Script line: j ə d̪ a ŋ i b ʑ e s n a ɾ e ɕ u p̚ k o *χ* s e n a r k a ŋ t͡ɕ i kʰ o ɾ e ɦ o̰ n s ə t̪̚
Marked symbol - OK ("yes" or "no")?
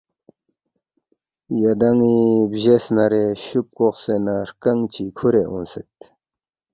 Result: yes